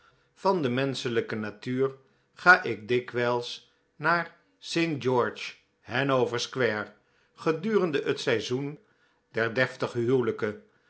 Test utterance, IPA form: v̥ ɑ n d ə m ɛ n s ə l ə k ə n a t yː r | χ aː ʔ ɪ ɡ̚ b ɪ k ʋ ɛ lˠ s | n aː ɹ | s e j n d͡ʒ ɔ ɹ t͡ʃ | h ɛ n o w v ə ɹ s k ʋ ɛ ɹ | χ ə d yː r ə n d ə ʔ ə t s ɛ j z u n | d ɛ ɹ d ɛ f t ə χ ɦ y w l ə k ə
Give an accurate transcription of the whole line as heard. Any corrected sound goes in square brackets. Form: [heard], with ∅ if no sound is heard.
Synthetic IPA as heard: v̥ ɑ n d ə m ɛ n s ə l ə k ə n a t yː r | χ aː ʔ ɪ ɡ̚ [d] ɪ k ʋ ɛ lˠ s | n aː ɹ | s e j n d͡ʒ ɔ ɹ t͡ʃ | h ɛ n o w v ə ɹ s k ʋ ɛ ɹ | χ ə d yː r ə n d ə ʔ ə t s ɛ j z u n | d ɛ ɹ d ɛ f t ə χ ɦ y w l ə k ə